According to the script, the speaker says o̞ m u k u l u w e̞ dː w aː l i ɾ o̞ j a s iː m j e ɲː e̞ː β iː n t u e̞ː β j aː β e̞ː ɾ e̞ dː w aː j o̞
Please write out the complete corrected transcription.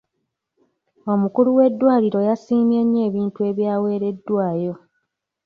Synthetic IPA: o̞ m u k u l u w e̞ dː w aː l i ɾ o̞ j a s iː m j e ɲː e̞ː β iː n t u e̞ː β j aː w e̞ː ɾ e̞ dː w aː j o̞